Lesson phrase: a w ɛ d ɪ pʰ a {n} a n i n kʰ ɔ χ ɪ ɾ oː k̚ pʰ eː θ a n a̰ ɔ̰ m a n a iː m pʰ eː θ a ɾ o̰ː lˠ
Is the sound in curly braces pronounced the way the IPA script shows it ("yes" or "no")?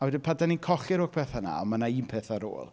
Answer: no